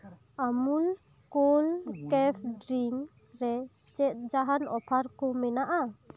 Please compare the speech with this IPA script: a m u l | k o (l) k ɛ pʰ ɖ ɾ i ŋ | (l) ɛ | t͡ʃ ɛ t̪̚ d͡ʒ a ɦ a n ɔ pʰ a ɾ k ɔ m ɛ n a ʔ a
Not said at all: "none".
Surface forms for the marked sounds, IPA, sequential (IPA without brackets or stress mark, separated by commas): l, ɾ